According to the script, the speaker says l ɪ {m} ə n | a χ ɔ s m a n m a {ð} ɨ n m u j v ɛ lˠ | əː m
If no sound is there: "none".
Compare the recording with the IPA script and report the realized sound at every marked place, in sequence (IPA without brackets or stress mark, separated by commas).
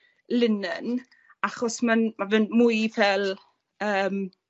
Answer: n, v